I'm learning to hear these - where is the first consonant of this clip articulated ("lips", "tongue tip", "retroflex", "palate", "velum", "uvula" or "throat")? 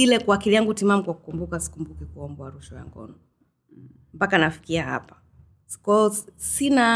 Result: tongue tip